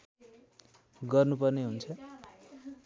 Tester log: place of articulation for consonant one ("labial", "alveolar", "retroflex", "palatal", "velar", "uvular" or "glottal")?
velar